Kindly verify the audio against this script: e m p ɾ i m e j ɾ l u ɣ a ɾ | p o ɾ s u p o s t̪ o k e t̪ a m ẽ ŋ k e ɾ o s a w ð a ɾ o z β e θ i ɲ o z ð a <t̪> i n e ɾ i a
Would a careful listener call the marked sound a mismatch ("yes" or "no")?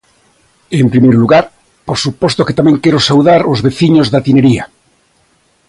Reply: no